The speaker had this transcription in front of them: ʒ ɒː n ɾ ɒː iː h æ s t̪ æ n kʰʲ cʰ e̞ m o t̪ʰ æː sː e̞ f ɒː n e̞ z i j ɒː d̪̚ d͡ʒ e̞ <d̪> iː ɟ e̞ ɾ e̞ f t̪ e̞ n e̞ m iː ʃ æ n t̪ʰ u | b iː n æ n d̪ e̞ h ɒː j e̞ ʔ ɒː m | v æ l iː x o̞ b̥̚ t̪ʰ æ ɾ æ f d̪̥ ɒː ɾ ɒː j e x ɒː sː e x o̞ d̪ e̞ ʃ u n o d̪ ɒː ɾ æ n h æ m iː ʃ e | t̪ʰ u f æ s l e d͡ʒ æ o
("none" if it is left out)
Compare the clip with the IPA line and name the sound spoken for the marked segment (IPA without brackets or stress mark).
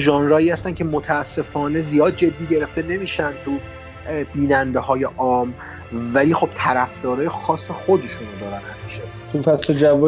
d̪ː